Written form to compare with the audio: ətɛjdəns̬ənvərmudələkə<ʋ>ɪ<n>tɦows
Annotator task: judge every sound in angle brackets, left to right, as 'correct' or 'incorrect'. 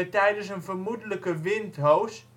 correct, correct

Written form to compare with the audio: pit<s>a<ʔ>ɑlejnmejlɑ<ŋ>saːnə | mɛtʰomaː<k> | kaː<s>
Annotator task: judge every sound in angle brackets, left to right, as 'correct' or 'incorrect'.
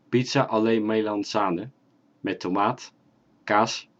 correct, correct, incorrect: n, incorrect: t, correct

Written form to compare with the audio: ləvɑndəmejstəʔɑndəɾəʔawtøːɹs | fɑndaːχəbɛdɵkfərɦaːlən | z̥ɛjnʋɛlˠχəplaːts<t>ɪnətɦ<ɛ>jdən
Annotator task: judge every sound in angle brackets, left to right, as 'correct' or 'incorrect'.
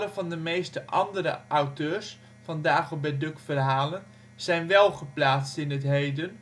correct, incorrect: e

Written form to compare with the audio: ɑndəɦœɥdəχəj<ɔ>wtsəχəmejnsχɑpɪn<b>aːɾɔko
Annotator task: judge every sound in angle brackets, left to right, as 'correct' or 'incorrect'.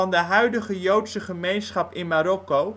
incorrect: o, incorrect: m

